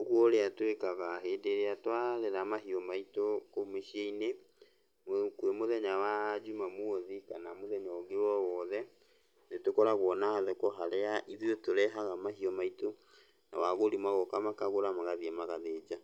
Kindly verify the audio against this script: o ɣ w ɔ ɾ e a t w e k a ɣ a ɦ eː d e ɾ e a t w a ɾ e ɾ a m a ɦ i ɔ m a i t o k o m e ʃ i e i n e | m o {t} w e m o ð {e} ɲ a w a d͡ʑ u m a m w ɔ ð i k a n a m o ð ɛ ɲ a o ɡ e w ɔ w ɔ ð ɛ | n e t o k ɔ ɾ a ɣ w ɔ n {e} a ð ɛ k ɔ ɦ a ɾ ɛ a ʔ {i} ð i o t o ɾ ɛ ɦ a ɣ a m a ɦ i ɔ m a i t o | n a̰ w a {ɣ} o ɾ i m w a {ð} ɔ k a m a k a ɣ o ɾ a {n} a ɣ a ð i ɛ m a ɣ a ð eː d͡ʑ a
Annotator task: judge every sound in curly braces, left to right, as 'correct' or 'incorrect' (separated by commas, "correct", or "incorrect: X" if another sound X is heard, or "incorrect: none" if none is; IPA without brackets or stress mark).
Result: incorrect: k, incorrect: ɛ, incorrect: a, correct, correct, incorrect: ɣ, incorrect: m